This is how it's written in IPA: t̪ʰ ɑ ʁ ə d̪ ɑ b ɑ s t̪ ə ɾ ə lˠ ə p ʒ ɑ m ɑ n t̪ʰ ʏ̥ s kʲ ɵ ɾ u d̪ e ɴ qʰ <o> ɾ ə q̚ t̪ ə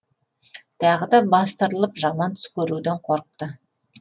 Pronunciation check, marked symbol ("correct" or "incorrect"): correct